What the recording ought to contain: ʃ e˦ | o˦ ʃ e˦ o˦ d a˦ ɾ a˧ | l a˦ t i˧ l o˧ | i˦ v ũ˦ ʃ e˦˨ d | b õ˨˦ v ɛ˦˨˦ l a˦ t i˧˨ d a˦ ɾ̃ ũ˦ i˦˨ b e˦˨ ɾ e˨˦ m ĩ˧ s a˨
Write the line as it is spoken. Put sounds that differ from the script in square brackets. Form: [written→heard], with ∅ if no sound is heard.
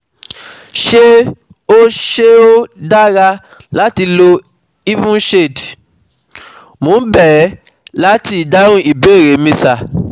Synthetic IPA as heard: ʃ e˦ | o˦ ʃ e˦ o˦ d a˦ ɾ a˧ | l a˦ t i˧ l o˧ | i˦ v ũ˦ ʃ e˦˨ d | [b→m] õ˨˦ [v→b] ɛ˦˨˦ l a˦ t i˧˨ d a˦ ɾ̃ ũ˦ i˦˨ b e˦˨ ɾ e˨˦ m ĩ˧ s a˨